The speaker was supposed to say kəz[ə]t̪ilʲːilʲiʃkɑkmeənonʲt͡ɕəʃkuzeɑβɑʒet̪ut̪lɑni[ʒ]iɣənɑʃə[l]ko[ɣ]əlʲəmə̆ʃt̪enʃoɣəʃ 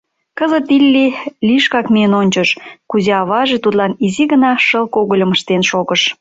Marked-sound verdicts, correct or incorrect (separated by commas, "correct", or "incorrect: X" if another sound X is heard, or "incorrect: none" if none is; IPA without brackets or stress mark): correct, incorrect: z, correct, correct